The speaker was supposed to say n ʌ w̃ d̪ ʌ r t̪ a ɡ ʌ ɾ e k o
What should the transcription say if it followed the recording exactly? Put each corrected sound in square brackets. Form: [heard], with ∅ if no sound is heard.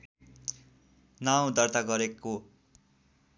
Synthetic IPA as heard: n [a] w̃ d̪ ʌ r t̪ a ɡ ʌ ɾ e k o